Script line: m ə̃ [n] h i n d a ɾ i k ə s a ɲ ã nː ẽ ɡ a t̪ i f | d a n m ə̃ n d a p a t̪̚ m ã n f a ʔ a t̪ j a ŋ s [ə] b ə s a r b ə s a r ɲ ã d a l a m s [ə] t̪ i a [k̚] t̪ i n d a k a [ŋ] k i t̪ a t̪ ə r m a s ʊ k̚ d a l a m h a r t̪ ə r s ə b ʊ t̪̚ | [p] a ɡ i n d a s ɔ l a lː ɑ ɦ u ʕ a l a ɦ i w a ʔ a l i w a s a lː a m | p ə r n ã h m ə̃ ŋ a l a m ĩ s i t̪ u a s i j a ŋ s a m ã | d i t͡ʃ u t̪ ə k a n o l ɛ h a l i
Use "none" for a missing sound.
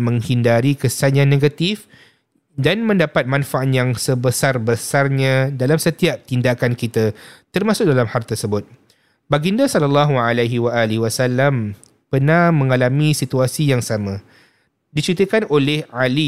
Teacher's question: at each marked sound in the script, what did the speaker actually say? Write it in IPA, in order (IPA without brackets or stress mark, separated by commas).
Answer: ŋ, ə, ə, p̚, n, b